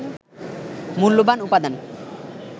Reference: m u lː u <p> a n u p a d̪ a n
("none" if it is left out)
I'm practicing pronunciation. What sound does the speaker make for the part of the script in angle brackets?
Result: b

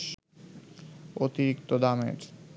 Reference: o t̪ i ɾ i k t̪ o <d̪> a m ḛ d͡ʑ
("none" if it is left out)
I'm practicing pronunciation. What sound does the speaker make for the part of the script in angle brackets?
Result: d̪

